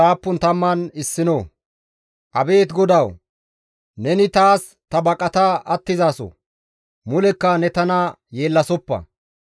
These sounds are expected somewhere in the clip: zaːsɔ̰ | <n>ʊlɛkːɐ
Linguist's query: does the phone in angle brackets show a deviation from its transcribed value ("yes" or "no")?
yes